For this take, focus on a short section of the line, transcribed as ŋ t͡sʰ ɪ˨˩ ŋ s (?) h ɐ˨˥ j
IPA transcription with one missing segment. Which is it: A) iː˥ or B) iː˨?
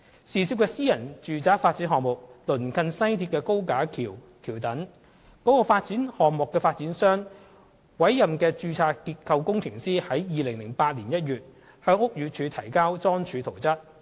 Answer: A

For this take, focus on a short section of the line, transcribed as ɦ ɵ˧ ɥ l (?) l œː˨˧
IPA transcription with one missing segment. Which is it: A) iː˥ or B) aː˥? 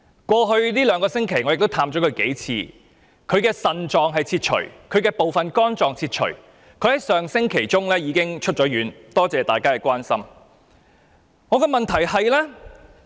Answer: A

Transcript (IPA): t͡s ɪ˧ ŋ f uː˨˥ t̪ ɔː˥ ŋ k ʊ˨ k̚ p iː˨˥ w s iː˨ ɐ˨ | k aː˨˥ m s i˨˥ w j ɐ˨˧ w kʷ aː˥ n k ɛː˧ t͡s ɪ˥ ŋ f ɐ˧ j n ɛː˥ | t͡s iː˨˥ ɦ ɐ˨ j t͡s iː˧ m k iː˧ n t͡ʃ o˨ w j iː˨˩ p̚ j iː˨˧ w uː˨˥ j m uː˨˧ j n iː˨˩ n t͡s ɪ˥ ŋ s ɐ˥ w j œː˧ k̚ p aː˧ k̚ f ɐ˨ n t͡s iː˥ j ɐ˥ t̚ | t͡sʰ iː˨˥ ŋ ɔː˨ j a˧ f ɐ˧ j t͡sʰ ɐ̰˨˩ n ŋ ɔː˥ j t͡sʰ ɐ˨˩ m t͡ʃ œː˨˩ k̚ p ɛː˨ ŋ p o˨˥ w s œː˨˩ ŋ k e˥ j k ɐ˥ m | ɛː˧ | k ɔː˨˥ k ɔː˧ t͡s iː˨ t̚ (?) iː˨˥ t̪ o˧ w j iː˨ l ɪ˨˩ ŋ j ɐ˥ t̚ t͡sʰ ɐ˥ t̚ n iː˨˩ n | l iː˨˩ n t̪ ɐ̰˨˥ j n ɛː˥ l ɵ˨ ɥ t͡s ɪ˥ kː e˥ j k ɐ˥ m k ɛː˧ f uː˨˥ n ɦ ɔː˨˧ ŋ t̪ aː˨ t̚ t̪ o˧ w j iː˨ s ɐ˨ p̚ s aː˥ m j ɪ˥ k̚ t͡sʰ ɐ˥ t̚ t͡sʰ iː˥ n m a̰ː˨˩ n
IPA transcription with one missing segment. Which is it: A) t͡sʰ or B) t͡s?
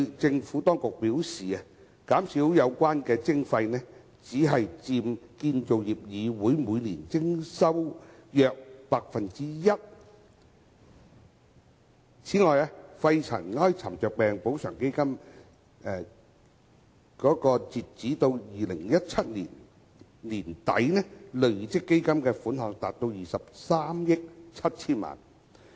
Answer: B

